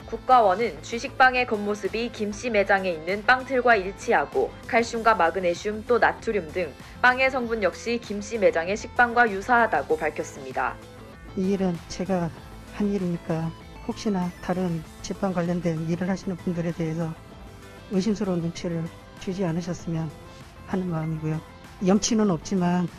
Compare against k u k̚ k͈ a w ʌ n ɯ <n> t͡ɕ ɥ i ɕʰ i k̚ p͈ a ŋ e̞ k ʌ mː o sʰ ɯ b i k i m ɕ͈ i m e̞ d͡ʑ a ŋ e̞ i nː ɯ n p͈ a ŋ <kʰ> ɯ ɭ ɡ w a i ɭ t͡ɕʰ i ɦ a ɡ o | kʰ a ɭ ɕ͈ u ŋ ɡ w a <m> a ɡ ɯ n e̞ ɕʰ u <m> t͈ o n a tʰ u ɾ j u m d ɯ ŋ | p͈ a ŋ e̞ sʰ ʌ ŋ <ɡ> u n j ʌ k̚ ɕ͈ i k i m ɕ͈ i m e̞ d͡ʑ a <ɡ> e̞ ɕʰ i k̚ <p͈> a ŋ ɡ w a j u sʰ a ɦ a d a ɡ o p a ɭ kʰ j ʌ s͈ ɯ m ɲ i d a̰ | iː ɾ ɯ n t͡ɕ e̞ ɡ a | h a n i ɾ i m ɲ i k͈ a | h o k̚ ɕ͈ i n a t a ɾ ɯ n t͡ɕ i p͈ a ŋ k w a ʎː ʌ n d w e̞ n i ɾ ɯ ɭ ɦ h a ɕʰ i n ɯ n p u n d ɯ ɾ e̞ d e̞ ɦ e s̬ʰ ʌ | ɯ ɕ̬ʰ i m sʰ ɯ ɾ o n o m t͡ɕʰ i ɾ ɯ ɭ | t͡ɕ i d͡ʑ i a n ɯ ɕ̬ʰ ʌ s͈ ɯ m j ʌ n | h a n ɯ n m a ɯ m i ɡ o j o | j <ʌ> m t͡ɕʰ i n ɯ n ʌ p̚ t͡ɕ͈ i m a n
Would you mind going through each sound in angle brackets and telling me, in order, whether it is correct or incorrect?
correct, incorrect: tʰ, correct, correct, incorrect: b, incorrect: ŋ, correct, correct

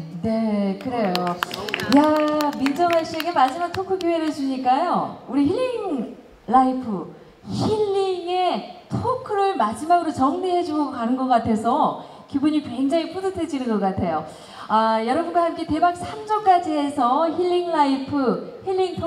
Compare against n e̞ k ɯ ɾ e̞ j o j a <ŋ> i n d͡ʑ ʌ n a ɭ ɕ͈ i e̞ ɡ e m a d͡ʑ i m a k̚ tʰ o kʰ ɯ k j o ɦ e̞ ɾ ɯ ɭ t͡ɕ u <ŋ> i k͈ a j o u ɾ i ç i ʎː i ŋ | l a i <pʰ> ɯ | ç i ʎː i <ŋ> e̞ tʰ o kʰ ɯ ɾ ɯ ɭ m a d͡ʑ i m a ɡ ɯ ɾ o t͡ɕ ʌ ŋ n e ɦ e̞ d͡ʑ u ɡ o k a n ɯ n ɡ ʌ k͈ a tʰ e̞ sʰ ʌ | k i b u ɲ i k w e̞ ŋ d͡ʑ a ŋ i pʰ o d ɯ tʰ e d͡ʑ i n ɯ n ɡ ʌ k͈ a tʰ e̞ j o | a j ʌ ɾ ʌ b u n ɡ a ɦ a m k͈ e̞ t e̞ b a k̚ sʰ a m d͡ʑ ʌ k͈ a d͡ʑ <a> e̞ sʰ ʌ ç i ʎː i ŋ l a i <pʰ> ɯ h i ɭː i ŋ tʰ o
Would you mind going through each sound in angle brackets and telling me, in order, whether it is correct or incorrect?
incorrect: m, incorrect: ɲ, correct, correct, incorrect: i, correct

